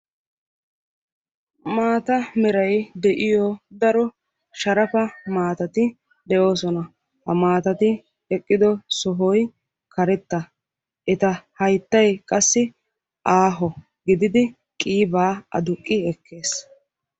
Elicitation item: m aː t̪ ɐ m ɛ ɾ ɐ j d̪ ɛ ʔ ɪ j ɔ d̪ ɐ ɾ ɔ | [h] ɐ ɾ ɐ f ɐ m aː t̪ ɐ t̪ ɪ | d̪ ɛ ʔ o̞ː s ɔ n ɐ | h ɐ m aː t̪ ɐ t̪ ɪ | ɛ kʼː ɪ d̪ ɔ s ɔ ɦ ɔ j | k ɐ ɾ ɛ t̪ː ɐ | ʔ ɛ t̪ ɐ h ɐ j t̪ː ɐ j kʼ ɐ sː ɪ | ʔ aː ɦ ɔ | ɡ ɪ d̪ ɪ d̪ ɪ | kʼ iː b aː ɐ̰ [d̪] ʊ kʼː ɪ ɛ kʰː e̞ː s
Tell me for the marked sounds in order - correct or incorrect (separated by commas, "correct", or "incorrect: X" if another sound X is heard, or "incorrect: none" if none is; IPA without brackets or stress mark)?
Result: incorrect: ʃ, correct